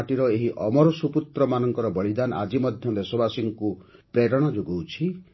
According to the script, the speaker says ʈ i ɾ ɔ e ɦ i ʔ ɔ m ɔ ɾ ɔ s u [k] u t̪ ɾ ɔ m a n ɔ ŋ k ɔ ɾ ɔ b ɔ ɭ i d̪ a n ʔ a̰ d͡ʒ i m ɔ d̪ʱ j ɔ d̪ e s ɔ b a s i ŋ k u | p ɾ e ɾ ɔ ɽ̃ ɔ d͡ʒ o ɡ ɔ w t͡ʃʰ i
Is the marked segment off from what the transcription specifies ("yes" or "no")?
yes